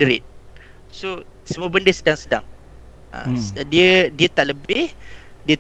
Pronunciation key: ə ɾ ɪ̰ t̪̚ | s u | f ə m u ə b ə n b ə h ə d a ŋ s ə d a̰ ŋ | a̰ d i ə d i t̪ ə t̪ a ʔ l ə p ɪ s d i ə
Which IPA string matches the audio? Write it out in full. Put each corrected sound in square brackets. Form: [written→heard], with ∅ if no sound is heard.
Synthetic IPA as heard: ə ɾ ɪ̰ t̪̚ | s [u→o] | [f→s] ə m u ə b ə n [b→d] ə [h→s] ə d a ŋ s ə d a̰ ŋ | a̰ d i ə d i [t̪→∅] ə t̪ a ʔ l ə [p→b] ɪ [s→h] d i ə